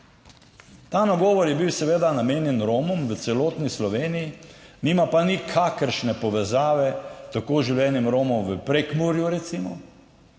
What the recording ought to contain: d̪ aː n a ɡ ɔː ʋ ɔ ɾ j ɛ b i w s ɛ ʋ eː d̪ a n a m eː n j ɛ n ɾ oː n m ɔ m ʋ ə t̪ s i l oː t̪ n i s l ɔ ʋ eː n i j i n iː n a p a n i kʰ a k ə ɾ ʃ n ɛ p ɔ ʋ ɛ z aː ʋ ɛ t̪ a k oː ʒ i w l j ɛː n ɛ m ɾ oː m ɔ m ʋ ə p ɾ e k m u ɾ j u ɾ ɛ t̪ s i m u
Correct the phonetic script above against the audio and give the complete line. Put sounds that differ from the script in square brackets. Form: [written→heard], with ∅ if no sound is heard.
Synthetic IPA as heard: [d̪→t̪] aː n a ɡ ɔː ʋ ɔ ɾ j ɛ b i w s ɛ ʋ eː d̪ a n a m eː n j ɛ n ɾ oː [n→∅] m ɔ m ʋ ə t̪ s [i→ɛ] l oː t̪ n i s l ɔ ʋ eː n i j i n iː [n→m] a p a n i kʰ a k ə ɾ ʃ n ɛ p ɔ ʋ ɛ z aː ʋ ɛ t̪ a k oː ʒ i w l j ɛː n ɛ m ɾ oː m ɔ m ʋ ə p ɾ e k m u ɾ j u ɾ ɛ t̪ s i m [u→ɔ]